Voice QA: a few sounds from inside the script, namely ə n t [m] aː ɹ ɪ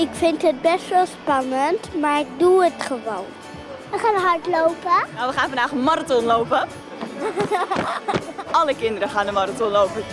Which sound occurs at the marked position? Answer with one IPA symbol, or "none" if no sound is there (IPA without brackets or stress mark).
m